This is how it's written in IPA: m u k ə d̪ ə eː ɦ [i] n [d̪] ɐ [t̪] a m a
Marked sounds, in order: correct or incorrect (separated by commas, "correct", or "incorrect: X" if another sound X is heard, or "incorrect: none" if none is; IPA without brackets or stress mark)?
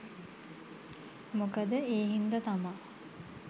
correct, correct, correct